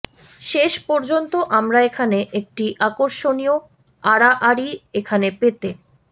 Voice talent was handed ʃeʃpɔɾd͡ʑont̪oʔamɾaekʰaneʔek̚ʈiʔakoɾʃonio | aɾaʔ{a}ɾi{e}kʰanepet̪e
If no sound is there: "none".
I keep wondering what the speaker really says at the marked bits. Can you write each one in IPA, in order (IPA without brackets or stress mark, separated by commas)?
a, e